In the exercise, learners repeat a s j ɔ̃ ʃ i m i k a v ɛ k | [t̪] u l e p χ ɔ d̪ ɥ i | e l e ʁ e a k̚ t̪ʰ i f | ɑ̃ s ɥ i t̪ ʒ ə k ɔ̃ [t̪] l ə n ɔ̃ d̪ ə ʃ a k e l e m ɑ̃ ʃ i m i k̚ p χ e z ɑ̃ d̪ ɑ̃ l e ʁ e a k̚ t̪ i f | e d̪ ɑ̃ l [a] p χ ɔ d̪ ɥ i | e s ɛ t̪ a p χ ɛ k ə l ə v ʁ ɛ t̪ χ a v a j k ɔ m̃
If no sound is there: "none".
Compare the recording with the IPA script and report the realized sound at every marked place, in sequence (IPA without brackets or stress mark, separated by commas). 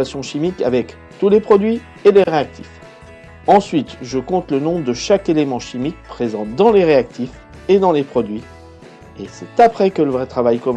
t̪, t̪, e